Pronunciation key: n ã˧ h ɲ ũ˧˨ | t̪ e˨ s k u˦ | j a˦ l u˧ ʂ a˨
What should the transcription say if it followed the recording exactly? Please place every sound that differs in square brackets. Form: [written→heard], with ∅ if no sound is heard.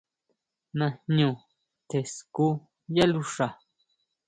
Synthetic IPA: n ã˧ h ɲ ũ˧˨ | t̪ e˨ s k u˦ | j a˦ l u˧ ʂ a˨